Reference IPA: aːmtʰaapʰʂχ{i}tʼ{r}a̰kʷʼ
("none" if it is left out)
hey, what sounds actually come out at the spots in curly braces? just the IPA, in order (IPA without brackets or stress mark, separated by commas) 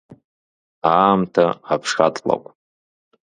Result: a, l